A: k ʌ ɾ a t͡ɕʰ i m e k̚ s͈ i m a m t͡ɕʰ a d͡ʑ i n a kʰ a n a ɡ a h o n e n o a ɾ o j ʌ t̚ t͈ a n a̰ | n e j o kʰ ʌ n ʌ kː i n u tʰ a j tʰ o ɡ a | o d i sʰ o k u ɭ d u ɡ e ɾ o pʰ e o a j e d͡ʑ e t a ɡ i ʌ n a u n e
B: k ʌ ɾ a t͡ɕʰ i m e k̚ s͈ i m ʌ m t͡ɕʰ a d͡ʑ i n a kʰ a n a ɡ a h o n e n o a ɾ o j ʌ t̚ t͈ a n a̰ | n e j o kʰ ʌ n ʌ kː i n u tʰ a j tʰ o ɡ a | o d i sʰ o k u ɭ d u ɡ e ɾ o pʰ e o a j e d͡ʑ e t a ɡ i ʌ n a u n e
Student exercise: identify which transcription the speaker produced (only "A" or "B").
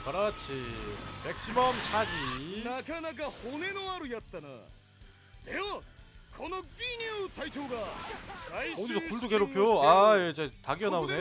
B